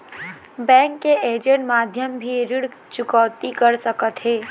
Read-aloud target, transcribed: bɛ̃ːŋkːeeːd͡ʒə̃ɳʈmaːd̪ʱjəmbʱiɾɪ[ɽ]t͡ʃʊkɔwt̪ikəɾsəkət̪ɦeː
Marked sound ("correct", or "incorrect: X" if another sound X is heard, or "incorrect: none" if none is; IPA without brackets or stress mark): correct